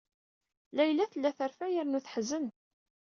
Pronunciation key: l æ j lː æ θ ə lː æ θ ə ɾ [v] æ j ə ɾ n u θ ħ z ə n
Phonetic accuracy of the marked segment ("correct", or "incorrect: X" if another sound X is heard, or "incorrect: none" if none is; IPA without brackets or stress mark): incorrect: f